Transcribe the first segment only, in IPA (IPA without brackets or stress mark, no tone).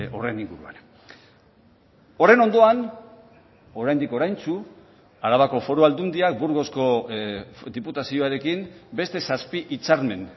o̞